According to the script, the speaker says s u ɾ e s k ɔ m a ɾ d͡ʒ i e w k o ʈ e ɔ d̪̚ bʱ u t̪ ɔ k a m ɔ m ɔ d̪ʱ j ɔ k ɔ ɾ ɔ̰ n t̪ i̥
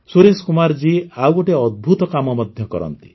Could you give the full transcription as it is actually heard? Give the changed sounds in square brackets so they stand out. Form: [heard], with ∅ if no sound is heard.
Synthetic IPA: s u ɾ e s k [u] m a ɾ d͡ʒ i [a] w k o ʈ e ɔ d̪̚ bʱ u t̪ ɔ k a m ɔ m ɔ d̪ʱ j ɔ k ɔ ɾ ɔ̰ n t̪ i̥